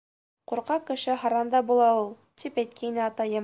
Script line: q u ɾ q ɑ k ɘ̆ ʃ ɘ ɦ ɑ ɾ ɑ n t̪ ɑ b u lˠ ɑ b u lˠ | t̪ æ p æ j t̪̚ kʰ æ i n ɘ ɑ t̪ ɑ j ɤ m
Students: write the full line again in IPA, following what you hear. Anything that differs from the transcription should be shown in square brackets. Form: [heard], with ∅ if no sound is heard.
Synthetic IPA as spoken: q u ɾ q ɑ k ɘ̆ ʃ ɘ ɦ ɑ ɾ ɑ n [d̪] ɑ b u lˠ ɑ [∅] u lˠ | t̪ [i] p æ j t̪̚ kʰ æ i n ɘ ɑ t̪ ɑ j ɤ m